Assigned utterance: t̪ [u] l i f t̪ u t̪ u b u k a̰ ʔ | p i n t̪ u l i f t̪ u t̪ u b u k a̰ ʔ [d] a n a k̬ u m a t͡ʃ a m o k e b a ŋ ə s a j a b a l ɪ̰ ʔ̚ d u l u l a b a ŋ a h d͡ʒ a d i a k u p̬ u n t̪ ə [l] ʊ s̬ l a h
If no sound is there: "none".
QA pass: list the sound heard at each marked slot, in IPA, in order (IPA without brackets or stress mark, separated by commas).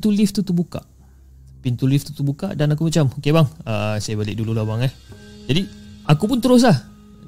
u, d, ɾ